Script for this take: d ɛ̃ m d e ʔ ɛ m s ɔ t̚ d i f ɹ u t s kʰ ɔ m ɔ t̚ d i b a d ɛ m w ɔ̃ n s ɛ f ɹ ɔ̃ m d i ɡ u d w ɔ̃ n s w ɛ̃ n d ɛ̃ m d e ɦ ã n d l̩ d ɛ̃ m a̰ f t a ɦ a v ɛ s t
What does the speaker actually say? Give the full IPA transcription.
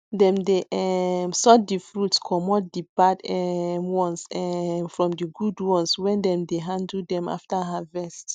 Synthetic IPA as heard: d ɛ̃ m d e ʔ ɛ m s ɔ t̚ d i f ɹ u t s kʰ ɔ m ɔ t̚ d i b a d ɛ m w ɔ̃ n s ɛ f ɹ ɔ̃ m d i ɡ u d w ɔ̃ n s w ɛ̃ n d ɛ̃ m d e ɦ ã n d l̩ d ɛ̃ m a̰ f t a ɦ a v ɛ s t

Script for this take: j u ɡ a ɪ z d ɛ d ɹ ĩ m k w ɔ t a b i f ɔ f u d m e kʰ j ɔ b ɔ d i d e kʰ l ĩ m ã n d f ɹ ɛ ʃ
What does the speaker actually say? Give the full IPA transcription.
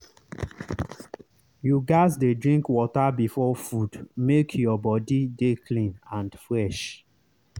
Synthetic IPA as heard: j u ɡ a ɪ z d e d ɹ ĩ ŋ k w ɔ t a b i f ɔ f u d m e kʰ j ɔ b ɔ d i d e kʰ l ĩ n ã n d f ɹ ɛ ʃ

